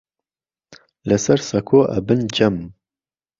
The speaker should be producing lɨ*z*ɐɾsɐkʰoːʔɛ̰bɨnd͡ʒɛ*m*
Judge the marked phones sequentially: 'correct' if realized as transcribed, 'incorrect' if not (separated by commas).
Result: incorrect, correct